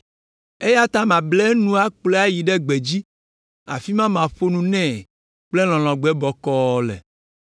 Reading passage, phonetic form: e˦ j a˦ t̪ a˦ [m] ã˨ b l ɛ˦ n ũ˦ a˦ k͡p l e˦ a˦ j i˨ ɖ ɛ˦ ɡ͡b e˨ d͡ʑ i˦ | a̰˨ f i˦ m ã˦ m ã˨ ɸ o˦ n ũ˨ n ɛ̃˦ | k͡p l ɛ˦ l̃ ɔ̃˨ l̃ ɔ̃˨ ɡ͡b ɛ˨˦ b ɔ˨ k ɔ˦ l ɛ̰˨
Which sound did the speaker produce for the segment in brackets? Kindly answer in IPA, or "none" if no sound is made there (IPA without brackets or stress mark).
m